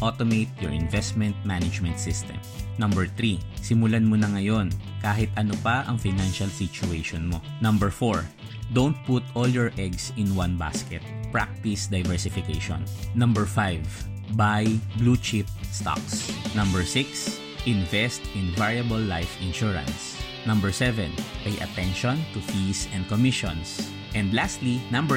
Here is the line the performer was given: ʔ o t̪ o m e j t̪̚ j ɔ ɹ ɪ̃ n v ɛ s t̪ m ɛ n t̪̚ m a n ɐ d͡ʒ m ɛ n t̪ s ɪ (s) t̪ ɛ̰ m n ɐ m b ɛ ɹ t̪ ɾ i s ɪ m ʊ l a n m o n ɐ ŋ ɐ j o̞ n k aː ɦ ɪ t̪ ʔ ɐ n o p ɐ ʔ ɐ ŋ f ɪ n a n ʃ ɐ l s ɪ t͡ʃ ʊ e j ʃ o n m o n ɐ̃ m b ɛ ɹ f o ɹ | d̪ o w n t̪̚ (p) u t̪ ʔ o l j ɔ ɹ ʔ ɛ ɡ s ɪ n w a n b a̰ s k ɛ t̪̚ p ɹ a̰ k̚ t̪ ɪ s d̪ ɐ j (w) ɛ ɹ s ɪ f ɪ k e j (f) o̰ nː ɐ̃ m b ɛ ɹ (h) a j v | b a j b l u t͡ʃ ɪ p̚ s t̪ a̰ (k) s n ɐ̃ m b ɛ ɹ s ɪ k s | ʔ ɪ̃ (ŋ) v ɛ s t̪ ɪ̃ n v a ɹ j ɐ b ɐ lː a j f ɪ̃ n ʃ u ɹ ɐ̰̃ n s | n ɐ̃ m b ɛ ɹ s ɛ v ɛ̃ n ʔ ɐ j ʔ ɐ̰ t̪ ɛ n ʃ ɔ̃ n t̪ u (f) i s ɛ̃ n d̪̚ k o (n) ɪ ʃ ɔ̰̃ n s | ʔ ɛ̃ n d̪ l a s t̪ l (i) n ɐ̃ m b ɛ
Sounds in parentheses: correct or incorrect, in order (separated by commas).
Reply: correct, correct, incorrect, incorrect, incorrect, correct, incorrect, correct, incorrect, correct